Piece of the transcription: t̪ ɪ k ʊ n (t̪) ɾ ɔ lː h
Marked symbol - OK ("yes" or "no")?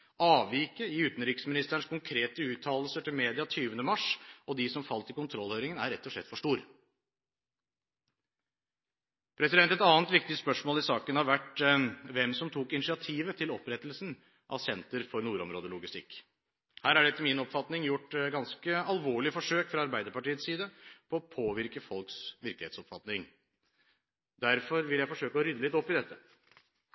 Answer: no